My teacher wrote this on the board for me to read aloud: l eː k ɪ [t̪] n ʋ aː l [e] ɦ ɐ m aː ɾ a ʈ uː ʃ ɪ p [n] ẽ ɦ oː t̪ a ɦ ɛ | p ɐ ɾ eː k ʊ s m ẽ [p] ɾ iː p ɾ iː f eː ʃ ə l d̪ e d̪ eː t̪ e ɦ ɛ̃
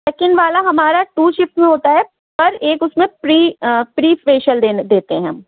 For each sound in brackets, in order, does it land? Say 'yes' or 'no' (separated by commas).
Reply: no, no, no, yes